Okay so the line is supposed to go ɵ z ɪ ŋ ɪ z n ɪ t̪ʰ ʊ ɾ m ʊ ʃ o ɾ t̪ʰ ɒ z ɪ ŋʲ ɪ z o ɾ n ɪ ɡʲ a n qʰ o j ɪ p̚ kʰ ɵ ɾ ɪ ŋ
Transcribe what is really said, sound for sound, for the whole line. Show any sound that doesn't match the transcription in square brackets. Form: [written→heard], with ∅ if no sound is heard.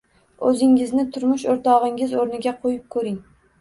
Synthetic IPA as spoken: ɵ z ɪ ŋ ɪ z n ɪ t̪ʰ ʊ ɾ m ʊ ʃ o ɾ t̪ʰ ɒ [z→ʁ] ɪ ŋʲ ɪ z o ɾ n ɪ ɡʲ a [n→∅] qʰ o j ɪ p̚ kʰ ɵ ɾ ɪ ŋ